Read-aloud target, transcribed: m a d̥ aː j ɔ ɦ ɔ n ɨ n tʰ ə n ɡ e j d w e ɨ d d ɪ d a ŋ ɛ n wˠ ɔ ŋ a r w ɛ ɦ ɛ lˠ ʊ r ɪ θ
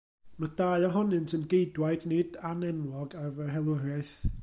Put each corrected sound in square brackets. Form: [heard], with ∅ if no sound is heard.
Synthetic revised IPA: m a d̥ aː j ɔ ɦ ɔ n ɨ n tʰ ə n ɡ e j d w [a] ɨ d [n] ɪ d a [n] ɛ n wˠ ɔ [ɡ] a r [v] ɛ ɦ ɛ lˠ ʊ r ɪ θ